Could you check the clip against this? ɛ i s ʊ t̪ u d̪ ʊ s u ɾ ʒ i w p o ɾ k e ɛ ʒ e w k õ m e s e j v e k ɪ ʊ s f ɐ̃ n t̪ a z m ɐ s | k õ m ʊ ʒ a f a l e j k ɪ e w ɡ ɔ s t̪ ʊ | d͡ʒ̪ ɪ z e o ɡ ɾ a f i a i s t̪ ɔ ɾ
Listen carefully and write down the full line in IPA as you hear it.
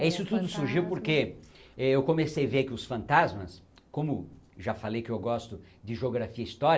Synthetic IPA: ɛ i s ʊ t̪ u d̪ ʊ s u ɾ ʒ i w p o ɾ k e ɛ e w k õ m e s e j v e k ɪ ʊ s f ɐ̃ n t̪ a z m ɐ s | k õ m ʊ ʒ a f a l e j k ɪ e w ɡ ɔ s t̪ ʊ | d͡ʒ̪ ɪ ʒ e o ɡ ɾ a f i ɐ i s t̪ ɔ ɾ